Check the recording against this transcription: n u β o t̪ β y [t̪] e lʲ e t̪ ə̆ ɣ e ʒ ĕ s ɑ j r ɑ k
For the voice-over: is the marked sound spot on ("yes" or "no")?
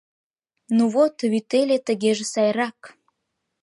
yes